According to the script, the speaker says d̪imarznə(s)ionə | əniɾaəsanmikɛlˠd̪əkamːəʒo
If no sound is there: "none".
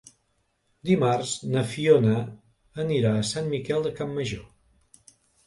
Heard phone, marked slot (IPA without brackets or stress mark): f